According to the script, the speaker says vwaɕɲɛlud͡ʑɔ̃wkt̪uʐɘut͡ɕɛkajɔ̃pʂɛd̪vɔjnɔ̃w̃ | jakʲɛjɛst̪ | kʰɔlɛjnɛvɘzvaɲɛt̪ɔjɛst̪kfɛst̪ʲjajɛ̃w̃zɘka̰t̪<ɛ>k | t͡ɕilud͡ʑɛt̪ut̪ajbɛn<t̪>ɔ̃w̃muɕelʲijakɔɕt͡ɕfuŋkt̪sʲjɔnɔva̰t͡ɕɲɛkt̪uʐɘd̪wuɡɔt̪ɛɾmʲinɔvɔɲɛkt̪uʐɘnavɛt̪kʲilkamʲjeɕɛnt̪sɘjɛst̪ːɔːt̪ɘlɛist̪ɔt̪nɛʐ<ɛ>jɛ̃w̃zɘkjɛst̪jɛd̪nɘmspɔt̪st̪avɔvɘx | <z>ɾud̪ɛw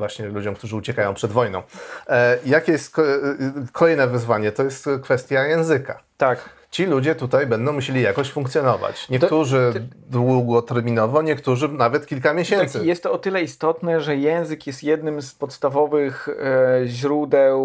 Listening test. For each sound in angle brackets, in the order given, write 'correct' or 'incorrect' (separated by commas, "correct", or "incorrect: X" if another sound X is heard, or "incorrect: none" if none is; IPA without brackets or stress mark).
incorrect: a, incorrect: d̪, correct, incorrect: ʑ